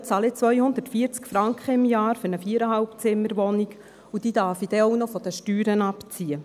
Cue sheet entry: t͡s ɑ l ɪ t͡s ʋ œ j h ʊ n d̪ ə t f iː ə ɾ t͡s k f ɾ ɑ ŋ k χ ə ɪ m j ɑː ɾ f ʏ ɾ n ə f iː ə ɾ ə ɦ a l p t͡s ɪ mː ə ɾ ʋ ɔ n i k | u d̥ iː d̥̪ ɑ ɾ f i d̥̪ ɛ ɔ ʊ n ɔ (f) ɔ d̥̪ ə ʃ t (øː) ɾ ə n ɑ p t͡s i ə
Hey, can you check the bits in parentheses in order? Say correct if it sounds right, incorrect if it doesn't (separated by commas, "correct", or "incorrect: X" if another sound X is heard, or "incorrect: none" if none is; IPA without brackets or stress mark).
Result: correct, incorrect: yː